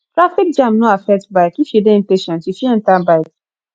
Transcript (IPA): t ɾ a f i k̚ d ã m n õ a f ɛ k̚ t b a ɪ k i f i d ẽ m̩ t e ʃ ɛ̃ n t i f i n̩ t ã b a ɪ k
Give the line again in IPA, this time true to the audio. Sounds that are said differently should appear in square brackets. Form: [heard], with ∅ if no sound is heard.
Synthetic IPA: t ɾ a f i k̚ [d͡ʒ] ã m n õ a f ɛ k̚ t b a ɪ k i f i d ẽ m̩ [p] e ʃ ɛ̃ n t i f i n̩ t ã b a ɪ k